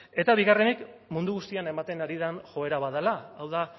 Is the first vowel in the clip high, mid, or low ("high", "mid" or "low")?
mid